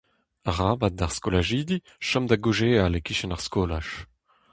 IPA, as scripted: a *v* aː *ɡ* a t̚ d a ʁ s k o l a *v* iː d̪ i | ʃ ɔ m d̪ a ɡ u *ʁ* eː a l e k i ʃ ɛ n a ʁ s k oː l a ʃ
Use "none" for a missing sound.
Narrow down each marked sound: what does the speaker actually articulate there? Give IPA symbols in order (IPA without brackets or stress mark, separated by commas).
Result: ʁ, b, ʒ, ʒ